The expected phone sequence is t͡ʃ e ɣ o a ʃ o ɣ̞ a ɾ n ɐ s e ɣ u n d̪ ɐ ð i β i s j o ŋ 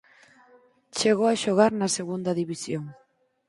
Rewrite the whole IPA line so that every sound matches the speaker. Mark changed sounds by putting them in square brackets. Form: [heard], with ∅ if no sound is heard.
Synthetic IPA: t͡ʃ e ɣ o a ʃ o ɣ̞ a ɾ n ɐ s e ɣ u n d̪ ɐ ð i β i s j o ŋ